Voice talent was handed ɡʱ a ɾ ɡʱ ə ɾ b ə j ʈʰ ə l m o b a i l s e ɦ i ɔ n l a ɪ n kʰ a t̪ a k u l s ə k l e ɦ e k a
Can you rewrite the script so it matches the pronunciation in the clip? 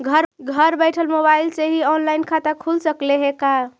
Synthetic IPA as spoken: ɡʱ ə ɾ ɡʱ ə ɾ b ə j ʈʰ ə l m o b a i l s e ɦ i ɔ n l a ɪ n kʰ a t̪ a kʰ u l s ə k l e ɦ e k a